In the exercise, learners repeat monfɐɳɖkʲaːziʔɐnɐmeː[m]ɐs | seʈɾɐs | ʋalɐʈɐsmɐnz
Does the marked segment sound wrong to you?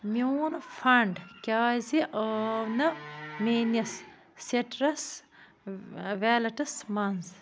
yes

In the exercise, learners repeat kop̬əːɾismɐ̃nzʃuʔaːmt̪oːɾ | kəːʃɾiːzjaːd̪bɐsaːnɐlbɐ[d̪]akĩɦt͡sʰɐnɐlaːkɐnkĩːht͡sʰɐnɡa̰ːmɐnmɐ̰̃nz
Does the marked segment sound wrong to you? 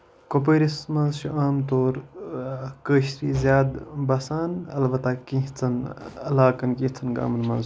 yes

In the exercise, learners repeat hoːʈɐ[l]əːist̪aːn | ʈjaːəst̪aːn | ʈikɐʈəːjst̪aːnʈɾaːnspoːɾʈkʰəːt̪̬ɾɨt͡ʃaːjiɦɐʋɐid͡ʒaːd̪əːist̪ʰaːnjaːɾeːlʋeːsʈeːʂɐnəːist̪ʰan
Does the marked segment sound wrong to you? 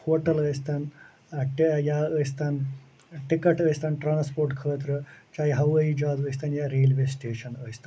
no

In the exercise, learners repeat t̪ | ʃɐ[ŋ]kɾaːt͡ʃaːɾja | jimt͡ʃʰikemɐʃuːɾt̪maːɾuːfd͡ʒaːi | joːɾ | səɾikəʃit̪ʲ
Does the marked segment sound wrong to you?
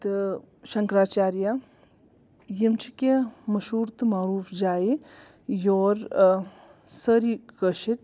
no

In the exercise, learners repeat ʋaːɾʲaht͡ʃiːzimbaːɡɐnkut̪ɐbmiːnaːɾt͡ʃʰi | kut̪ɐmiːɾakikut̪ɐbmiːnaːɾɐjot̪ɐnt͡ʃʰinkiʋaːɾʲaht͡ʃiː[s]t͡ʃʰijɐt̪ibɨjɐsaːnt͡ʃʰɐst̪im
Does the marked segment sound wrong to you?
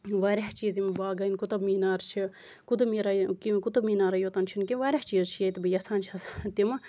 yes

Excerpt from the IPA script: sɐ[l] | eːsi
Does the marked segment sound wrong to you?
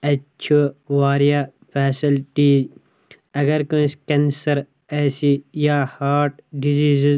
yes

